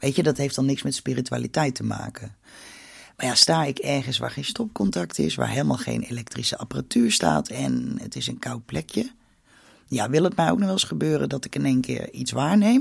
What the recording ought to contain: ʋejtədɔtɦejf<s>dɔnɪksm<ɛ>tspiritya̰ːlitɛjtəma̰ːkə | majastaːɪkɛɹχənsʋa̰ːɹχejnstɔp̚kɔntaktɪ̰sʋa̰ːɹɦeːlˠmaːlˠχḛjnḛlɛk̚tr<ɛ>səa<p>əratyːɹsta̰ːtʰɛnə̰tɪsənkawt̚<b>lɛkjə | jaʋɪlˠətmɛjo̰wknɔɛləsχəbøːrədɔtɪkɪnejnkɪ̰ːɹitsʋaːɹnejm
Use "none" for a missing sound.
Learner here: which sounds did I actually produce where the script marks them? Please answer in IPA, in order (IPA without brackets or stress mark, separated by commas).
t, ɛ, i, p, p